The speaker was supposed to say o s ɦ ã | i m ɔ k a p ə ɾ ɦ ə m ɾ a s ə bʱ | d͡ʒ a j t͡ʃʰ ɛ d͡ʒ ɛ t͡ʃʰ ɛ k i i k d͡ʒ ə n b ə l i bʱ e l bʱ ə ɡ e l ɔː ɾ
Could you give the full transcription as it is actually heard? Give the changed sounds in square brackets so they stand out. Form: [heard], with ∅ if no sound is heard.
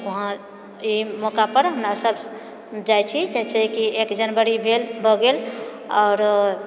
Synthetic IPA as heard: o [∅] ɦ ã | i m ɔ k a p ə ɾ ɦ ə m ɾ a s ə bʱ | d͡ʒ a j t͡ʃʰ [i] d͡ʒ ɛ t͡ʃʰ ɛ k i [e] k d͡ʒ ə n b ə [ɾ] i bʱ e l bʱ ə ɡ e l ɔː ɾ